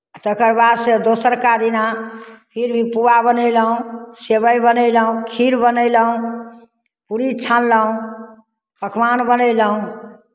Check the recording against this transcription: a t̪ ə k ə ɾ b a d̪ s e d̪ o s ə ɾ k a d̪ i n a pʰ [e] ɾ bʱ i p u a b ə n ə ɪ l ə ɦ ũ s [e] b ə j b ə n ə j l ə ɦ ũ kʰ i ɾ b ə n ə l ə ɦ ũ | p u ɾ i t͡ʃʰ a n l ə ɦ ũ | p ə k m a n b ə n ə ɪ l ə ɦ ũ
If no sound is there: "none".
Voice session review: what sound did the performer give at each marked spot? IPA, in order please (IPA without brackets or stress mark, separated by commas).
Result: i, e